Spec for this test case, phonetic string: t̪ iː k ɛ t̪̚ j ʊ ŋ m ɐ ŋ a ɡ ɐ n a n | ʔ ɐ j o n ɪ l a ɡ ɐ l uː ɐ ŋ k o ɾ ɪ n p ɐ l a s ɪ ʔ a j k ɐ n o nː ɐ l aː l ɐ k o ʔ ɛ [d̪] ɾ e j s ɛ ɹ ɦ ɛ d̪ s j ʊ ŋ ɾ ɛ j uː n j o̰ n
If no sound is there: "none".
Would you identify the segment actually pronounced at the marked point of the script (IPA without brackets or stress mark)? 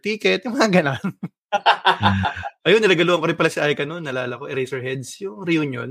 none